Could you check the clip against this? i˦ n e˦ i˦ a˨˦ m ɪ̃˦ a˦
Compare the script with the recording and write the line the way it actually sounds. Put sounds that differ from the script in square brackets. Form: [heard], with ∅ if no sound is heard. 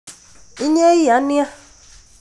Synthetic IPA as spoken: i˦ [ɲ] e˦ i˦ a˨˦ [n] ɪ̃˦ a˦